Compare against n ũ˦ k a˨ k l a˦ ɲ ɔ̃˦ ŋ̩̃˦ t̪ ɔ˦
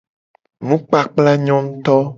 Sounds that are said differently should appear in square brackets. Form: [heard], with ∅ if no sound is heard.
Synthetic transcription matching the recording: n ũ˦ [k͡p] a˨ [k͡p] l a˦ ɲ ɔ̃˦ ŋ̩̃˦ t̪ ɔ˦

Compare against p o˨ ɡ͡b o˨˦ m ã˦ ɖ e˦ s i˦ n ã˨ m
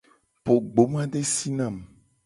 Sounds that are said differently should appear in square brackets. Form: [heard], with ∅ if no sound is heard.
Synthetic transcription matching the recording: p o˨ ɡ͡b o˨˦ m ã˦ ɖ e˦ s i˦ n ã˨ m

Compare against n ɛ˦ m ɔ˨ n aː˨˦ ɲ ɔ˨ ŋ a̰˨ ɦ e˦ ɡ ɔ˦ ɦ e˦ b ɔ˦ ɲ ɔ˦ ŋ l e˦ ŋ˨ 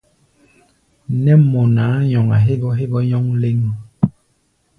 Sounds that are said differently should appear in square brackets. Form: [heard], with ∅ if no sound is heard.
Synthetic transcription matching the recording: n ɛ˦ m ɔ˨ n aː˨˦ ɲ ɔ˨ ŋ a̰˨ ɦ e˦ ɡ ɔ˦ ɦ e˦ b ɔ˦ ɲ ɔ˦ ŋ l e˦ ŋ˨

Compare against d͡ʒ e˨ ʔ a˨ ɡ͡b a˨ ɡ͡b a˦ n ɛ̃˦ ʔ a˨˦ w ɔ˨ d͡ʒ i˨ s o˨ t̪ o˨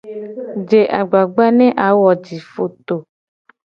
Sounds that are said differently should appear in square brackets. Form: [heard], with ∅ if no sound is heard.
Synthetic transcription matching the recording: d͡ʒ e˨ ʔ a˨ ɡ͡b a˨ ɡ͡b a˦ n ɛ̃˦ ʔ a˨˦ w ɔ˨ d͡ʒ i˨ [f] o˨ t̪ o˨

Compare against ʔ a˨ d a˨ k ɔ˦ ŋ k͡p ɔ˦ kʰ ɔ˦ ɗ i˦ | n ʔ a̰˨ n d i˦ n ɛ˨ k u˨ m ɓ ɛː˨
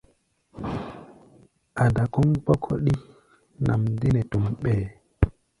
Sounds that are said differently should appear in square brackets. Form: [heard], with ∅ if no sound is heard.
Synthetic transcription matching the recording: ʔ a˨ d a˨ k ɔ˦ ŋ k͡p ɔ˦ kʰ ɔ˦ ɗ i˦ | n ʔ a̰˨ [m] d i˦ n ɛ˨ [t] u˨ m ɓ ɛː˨

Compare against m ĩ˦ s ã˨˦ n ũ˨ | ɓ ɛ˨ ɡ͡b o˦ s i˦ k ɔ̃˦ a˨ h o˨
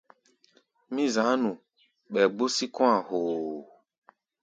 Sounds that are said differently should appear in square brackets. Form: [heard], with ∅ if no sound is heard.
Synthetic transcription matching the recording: m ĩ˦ [z] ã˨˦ n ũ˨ | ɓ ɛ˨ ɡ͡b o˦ s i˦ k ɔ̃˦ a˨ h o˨

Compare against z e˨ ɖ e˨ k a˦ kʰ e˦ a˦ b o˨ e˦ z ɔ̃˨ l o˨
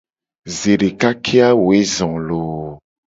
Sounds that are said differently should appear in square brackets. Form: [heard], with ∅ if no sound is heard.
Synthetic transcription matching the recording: z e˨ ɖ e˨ k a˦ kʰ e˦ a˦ [w] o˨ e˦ z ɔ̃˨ l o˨

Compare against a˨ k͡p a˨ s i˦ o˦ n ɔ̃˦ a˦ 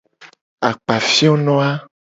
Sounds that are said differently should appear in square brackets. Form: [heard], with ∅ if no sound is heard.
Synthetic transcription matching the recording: a˨ k͡p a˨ [f] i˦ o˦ n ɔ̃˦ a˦

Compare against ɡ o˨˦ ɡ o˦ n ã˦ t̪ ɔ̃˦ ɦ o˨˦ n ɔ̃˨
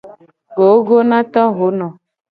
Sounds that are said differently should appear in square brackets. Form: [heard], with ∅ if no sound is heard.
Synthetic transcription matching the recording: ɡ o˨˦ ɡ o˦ n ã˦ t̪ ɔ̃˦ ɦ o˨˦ n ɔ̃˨

